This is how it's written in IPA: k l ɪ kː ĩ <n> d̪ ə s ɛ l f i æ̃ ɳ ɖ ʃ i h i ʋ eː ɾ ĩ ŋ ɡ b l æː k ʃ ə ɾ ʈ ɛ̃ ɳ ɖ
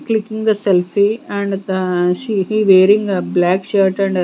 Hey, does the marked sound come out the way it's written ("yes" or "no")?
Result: no